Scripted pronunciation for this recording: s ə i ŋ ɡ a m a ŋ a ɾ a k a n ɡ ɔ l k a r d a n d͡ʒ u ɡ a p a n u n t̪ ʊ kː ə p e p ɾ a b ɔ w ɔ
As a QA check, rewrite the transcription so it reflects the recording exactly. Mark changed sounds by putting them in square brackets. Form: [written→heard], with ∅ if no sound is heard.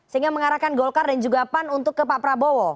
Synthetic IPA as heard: s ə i ŋ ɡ a m [a→ə] ŋ a ɾ a k a n ɡ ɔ l k a r d a n d͡ʒ u ɡ a p a n u n t̪ ʊ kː ə p [e→a] p ɾ a b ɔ w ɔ

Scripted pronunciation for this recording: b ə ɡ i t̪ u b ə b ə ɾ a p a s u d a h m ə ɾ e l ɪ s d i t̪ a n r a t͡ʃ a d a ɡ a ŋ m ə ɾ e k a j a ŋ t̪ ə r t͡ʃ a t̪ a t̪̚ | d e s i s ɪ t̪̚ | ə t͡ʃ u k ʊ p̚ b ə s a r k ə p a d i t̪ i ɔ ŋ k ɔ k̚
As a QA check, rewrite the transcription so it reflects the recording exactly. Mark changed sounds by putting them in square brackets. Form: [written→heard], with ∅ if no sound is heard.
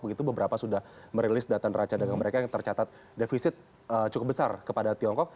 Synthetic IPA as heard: b ə ɡ i t̪ u b ə b ə ɾ a p a s u d a h m ə ɾ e l ɪ s d [i→a] t̪ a n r a t͡ʃ a d a ɡ a ŋ m ə ɾ e k a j a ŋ t̪ ə r t͡ʃ a t̪ a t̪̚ | d e [s→f] i s ɪ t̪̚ | ə t͡ʃ u k ʊ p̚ b ə s a r k ə p a d [i→a] t̪ i ɔ ŋ k ɔ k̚

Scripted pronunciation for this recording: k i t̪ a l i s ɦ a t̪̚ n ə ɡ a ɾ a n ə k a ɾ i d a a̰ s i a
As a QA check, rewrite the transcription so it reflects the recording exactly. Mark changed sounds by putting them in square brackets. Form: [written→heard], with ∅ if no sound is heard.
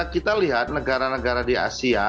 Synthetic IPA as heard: k i t̪ a l i [s→∅] ɦ a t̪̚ n ə ɡ a ɾ a n ə [k→ɡ] a ɾ [i→a] d [a→i] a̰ s i a

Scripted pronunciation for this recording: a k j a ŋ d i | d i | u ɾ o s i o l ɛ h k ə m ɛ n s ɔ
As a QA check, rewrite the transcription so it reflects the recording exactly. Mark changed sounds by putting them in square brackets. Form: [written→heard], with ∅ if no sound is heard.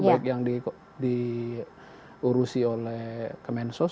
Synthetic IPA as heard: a k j a ŋ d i | d i | u ɾ [o→u] s i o l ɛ h k ə m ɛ n s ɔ

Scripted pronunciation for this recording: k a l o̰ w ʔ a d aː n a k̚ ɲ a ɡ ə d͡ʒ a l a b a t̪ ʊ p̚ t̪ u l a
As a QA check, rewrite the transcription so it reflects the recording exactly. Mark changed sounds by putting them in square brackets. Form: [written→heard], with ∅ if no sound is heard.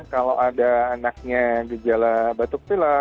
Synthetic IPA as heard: k a l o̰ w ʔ a d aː n a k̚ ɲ a ɡ ə d͡ʒ a l a b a t̪ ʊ [p̚→k̚] t̪ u l a

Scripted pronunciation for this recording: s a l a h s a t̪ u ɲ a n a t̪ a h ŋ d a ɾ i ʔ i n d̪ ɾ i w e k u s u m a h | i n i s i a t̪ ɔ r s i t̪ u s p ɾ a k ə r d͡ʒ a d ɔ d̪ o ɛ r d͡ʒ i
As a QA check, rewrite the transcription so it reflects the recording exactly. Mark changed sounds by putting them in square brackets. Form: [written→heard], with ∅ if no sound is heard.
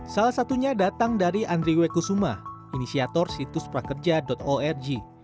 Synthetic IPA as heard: s a l a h s a t̪ u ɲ a [n→d] a t̪ a [h→∅] ŋ d a ɾ i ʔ [i→a] n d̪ ɾ i w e k u s u m a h | i n i s i a t̪ ɔ r s i t̪ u s p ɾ a k ə r d͡ʒ a d ɔ [d̪→t̪] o ɛ r d͡ʒ i

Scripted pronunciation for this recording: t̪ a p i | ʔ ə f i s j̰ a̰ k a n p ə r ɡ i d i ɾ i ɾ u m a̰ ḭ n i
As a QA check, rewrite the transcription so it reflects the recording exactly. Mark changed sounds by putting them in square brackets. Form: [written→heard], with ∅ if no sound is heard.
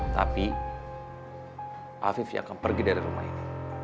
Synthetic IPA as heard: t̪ a p i | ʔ [ə→a] f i [s→f] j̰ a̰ k a n p ə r ɡ i d [i→a] ɾ i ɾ u m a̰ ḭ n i

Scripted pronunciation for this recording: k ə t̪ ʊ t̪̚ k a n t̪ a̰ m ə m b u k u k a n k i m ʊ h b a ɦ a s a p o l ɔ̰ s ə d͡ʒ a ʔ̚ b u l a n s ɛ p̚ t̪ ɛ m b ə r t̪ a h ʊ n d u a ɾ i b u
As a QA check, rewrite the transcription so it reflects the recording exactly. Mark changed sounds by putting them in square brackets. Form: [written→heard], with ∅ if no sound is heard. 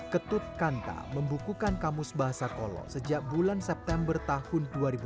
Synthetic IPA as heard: k ə t̪ ʊ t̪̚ k a n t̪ a̰ m ə m b u k u k a n k [i→a] m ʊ [h→s] b a ɦ a s a [p→k] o l ɔ̰ s ə d͡ʒ a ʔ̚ b u l a n s ɛ p̚ t̪ ɛ m b ə r t̪ a h ʊ n d u a ɾ i b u

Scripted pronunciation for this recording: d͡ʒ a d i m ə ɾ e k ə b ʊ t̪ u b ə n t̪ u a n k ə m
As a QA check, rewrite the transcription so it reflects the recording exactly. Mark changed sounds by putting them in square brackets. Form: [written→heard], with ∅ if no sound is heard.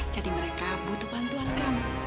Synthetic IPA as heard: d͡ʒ a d i m ə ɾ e k [ə→a] b [ʊ→u] t̪ u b [ə→a] n t̪ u a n k [ə→a] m

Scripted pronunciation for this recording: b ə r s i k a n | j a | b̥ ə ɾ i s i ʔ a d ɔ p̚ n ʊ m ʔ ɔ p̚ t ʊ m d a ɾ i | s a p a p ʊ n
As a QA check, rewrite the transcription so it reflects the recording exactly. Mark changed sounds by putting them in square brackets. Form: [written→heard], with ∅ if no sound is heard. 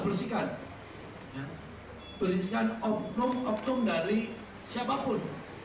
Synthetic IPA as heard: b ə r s i k a n | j a | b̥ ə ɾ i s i [ʔ→k] a [d→n] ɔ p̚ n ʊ m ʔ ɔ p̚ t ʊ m d a ɾ i | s a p a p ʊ n

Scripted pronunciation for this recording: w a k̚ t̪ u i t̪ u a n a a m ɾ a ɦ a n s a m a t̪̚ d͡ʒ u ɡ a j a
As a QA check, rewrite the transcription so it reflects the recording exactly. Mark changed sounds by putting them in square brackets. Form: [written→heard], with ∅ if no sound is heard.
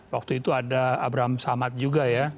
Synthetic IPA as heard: w a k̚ t̪ u i t̪ u a [n→d] a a [m→b] ɾ a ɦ a [n→m] s a m a t̪̚ d͡ʒ u ɡ a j a

